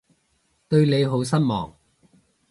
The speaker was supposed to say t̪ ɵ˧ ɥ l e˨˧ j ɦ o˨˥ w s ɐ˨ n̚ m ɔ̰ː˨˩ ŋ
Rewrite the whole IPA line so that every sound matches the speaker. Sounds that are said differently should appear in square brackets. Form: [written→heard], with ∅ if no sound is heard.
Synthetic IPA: t̪ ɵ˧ ɥ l e˨˧ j ɦ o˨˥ w s [ɐ˨→ɐ˥] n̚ m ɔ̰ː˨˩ ŋ